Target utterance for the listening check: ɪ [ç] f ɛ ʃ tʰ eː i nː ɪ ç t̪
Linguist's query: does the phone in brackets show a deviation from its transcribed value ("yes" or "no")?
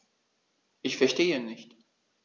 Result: no